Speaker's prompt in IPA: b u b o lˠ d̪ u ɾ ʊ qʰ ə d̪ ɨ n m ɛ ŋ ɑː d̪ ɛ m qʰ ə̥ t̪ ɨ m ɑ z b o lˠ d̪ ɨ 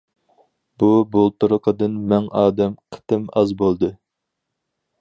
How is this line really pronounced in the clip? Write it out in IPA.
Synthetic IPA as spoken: b u b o lˠ t̪ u ɾ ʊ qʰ ə d̪ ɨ n m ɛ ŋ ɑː d̪ ɛ m qʰ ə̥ t̪ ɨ m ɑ z b o lˠ d̪ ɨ